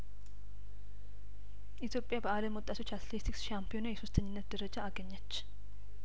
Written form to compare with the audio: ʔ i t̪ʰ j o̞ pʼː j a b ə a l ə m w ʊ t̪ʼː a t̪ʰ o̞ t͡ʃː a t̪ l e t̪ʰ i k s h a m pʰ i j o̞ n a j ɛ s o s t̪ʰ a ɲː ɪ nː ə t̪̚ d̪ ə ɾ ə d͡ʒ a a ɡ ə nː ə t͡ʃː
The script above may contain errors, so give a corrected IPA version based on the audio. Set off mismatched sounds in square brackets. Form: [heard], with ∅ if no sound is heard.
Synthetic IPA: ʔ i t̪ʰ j o̞ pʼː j a b ə a l ə m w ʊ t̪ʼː a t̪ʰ o̞ t͡ʃː a t̪ l e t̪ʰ i k s [ʃ] a m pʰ i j o̞ n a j ɛ s o s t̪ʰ [ə] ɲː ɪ nː ə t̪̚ d̪ ə ɾ ə d͡ʒ a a ɡ ə [ɲː] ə t͡ʃː